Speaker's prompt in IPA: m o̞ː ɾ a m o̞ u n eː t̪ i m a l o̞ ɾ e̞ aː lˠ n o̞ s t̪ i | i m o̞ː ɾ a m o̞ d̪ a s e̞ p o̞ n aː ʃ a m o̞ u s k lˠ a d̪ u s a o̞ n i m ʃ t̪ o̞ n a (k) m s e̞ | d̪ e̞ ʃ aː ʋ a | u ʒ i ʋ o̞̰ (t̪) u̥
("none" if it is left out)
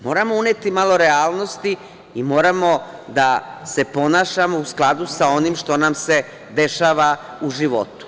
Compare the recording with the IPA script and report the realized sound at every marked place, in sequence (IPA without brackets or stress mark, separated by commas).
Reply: none, t̪